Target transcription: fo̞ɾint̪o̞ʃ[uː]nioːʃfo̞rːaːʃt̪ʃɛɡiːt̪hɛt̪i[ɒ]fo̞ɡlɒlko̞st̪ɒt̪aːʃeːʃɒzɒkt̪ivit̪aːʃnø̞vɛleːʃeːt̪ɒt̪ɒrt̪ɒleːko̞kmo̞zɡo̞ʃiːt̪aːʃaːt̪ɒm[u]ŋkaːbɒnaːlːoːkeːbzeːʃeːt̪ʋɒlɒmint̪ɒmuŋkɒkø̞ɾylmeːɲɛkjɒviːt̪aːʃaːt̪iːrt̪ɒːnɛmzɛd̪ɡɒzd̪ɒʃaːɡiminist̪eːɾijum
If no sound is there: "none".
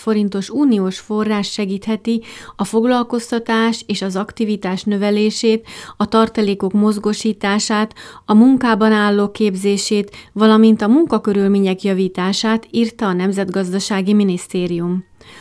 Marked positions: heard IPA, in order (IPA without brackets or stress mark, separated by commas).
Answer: uː, ɒ, u